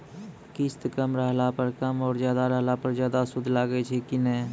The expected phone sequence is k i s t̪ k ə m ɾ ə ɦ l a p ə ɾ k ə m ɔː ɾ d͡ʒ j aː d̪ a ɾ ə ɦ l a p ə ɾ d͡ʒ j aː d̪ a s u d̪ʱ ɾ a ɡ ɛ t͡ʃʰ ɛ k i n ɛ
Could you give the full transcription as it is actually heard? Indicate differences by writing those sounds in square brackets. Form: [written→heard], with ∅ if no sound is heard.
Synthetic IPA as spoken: k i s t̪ k ə m ɾ ə ɦ l a p ə ɾ k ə m ɔː ɾ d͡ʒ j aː d̪ a ɾ ə ɦ l a p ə ɾ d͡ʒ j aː d̪ a s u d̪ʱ [ɾ→l] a ɡ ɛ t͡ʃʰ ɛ k i n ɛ